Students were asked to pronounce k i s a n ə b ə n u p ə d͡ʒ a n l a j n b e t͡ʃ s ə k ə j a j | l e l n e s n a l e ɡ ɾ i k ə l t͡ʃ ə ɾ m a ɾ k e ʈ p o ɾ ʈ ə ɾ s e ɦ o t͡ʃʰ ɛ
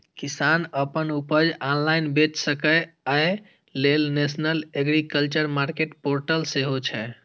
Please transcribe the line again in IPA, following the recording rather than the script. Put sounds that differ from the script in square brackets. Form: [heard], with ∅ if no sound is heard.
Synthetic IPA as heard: k i s a n ə [p] ə n u p ə d͡ʒ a n l a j n b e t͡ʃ s ə k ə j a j | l e l n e s n [ə] l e ɡ ɾ i k ə l t͡ʃ ə ɾ m a ɾ k e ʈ p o ɾ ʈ ə [l] s e ɦ o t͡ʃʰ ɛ